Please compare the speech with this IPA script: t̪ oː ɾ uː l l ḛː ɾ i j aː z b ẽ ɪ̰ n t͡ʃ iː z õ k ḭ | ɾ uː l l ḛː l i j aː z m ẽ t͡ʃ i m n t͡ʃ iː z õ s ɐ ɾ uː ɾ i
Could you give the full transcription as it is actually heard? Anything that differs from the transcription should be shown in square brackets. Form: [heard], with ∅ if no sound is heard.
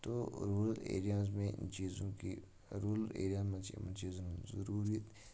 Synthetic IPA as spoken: t̪ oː ɾ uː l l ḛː ɾ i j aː z [m] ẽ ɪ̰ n t͡ʃ iː z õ k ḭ | ɾ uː l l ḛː [ɾ] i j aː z m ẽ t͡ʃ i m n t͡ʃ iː z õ [z] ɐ ɾ uː ɾ i